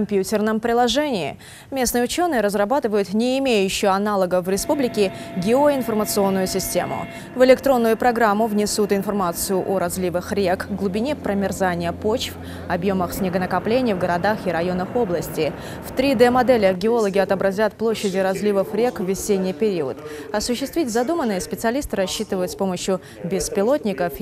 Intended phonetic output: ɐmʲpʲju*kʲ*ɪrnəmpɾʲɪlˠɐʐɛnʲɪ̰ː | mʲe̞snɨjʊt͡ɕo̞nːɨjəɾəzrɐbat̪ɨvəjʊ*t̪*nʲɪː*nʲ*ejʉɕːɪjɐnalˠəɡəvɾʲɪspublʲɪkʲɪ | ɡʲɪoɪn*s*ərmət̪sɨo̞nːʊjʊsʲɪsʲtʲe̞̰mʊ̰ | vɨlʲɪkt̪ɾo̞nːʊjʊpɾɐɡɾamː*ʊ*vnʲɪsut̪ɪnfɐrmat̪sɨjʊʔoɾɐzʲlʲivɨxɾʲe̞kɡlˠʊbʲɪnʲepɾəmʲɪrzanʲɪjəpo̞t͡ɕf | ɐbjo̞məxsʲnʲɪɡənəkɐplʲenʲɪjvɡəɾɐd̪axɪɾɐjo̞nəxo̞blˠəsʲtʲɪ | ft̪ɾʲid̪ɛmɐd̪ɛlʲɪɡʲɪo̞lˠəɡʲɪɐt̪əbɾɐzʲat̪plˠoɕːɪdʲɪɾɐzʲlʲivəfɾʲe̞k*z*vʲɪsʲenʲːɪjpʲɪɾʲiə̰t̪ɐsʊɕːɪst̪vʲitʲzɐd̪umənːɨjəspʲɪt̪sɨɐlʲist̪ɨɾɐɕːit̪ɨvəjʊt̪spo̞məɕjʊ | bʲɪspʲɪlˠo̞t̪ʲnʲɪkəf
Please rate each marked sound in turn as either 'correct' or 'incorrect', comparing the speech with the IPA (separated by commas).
incorrect, correct, incorrect, incorrect, correct, incorrect